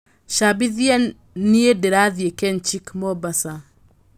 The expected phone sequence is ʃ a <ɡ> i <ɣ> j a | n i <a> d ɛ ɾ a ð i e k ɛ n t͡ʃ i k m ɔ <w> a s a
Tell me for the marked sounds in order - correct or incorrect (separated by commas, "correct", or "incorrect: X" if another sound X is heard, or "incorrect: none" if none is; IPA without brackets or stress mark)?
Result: incorrect: b, incorrect: ð, incorrect: e, incorrect: b